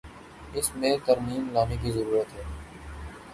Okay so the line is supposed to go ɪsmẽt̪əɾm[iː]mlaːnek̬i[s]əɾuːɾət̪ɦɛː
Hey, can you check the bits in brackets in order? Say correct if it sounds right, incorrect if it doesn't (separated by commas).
correct, incorrect